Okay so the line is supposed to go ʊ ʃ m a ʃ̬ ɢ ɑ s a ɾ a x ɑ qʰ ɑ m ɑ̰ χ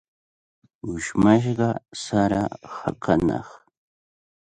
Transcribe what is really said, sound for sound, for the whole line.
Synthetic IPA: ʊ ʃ m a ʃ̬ ɢ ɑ s a ɾ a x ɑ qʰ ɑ n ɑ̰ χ